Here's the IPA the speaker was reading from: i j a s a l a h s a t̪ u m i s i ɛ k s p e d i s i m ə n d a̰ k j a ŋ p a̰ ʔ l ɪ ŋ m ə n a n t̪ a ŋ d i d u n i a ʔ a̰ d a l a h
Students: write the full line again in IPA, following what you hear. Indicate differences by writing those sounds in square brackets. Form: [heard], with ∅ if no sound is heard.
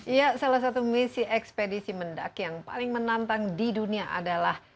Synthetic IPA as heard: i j a s a l a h s a t̪ u m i s i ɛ k s p e d i s i m ə n d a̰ k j a ŋ p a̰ [∅] l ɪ ŋ m ə n a n t̪ a ŋ d i d u n i a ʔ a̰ d a l a h